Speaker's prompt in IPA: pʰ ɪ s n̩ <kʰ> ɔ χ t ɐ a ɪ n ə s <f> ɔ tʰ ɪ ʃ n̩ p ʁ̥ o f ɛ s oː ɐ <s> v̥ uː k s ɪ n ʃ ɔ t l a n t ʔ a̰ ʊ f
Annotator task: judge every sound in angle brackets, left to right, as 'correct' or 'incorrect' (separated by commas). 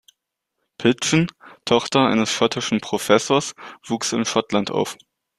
incorrect, incorrect, correct